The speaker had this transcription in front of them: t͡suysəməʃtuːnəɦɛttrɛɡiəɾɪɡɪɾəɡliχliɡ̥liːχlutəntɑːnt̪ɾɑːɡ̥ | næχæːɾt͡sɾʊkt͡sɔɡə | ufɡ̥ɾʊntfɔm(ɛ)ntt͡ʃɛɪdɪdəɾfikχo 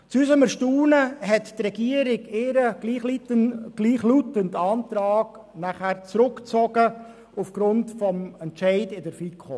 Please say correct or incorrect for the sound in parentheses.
correct